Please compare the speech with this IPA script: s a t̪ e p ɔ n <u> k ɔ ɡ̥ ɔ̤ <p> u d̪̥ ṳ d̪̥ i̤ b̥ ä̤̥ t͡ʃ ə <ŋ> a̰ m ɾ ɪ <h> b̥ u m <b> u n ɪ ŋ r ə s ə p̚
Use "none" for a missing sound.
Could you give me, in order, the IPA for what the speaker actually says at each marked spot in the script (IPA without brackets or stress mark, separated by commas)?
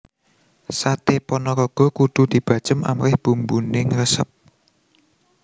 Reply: ɔ, k, m, h, b